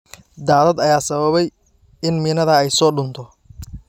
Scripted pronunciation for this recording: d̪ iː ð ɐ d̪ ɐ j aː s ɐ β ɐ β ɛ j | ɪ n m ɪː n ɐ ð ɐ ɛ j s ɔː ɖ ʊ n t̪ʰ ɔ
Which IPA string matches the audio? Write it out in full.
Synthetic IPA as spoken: d̪ aː ð ɐ d̪ ɐ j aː s ɐ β ɐ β ɛ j | ɪ n m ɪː n ɐ ð ɐ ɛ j s ɔː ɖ ʊ n t̪ʰ ɔ

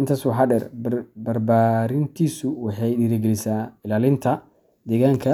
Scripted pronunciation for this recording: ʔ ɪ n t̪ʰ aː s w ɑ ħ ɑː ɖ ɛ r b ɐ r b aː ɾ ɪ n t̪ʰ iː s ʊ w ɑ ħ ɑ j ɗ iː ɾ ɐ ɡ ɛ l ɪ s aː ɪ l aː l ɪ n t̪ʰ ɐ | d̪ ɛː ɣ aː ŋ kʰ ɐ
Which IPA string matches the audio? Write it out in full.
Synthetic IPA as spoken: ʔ ɪ n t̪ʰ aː s w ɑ ħ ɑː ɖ ɛ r b ɐ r b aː ɾ ɪ n t̪ʰ iː s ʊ w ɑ ħ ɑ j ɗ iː ɾ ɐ ɡ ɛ l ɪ s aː ɪ l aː l ɪ n t̪ʰ ɐ | d̪ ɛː ɣ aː ŋ kʰ ɐ

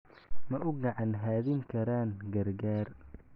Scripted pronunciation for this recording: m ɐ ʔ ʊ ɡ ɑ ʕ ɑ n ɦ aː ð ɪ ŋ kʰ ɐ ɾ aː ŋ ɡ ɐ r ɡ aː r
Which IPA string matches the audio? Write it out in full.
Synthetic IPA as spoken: m ɐ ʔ ʊ ɡ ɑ ʕ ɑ n ɦ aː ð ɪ ŋ kʰ ɐ ɾ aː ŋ ɡ ɐ r ɡ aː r

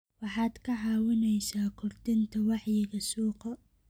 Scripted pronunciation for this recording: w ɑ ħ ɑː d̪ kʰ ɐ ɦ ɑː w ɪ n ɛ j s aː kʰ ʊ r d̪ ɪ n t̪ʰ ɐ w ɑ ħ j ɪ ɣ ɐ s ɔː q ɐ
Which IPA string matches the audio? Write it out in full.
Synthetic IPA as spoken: w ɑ ħ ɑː d̪ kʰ ɐ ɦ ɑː w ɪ n ɛ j s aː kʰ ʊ r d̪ ɪ n t̪ʰ ɐ w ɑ ħ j ɪ ɣ ɐ s uː q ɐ

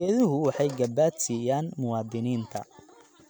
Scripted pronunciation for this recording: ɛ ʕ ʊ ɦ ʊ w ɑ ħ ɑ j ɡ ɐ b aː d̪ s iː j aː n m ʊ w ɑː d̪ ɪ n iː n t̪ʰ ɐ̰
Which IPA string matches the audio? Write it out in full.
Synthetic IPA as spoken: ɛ ð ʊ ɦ ʊ w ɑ ħ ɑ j ɡ ɐ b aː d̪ s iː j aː n m ʊ w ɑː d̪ ɪ n iː n t̪ʰ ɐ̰

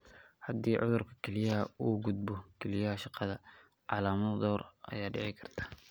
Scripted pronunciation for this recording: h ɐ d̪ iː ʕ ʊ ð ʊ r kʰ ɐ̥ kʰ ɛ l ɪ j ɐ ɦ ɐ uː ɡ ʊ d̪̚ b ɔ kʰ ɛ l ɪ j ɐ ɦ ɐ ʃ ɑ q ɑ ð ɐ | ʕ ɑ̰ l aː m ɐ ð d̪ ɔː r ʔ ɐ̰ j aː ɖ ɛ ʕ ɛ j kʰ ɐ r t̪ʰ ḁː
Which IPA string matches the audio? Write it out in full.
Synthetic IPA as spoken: h ɐ d̪ iː ʕ ʊ ð ʊ r kʰ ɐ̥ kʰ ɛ l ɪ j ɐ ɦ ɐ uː ɡ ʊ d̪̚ b ɔ kʰ ɛ l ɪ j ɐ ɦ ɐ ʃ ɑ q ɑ ð ɐ | ʕ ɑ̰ l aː m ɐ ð d̪ ɔː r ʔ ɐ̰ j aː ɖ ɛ ʕ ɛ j kʰ ɐ r t̪ʰ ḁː

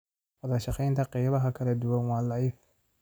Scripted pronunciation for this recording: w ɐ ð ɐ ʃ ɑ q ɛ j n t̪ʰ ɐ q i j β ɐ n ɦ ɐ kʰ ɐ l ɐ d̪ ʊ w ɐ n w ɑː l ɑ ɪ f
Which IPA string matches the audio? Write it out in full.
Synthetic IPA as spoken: w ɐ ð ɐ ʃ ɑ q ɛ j n t̪ʰ ɐ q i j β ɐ ɦ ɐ kʰ ɐ l ɐ d̪ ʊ w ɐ n w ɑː l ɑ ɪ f

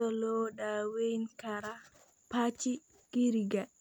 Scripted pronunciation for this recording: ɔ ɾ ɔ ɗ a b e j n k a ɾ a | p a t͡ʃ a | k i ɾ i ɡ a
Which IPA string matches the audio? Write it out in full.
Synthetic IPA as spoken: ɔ l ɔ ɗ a w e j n k a ɾ a | p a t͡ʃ i | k i ɾ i ɡ a

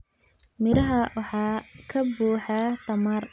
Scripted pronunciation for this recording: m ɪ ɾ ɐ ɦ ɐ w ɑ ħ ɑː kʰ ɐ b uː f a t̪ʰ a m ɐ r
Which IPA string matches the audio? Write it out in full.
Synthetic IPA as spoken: m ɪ ɾ ɐ ɦ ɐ w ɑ ħ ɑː kʰ ɐ b uː ħ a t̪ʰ ɐ m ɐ r

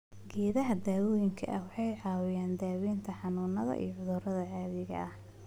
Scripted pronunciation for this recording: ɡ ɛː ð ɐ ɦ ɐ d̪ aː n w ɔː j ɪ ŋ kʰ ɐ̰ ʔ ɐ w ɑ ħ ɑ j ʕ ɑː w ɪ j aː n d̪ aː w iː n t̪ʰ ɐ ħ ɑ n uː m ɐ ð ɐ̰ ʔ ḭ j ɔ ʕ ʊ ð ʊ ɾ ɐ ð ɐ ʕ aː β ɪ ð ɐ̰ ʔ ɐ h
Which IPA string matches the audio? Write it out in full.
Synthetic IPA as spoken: ɡ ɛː ð ɐ ɦ ɐ d̪ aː w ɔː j ɪ ŋ kʰ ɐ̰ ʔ ɐ w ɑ ħ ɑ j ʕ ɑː w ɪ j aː n d̪ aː w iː n t̪ʰ ɐ ħ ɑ n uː n ɐ ð ɐ̰ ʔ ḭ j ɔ ʕ ʊ ð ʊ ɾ ɐ ð ɐ ʕ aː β ɪ ɣ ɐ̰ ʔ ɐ h

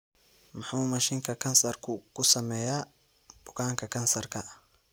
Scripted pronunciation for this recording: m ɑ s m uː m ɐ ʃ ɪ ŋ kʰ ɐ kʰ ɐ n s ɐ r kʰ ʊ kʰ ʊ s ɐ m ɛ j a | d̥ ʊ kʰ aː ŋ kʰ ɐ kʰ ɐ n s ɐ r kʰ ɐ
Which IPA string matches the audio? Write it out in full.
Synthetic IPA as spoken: m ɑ ħ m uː m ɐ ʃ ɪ ŋ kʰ ɐ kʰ ɐ n s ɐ r kʰ ʊ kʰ ʊ s ɐ m ɛ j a | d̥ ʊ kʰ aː ŋ kʰ ɐ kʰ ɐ n s ɐ r kʰ ɐ

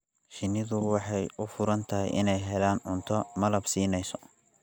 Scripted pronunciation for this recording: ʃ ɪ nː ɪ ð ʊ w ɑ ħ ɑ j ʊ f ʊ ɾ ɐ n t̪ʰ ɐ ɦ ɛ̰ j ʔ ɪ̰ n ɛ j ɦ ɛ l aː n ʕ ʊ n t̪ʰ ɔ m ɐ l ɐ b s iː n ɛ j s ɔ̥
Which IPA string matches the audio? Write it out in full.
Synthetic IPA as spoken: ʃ ɪ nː ɪ ð ʊ w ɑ ħ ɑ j ʊ f ʊ ɾ ɐ n t̪ʰ ɐ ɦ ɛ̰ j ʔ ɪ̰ n ɛ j ɦ ɛ l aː n ʕ ʊ n t̪ʰ ɔ m ɐ l ɐ b s iː n ɛ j s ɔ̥

